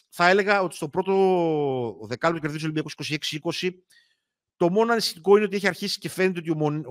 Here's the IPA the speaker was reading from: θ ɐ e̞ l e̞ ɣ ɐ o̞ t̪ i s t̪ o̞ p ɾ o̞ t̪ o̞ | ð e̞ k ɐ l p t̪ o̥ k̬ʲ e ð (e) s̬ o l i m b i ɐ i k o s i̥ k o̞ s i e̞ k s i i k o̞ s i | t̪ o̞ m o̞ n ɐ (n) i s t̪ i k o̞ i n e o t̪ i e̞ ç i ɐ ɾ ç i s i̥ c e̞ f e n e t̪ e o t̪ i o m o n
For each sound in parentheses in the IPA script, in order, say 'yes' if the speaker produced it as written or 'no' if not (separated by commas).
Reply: no, yes